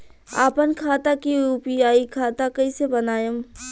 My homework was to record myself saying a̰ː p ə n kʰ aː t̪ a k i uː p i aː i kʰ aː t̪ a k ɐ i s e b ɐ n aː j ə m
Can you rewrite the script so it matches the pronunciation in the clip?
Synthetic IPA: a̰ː p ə n kʰ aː t̪ a k i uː p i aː i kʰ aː t̪ a k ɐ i s e b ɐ n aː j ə m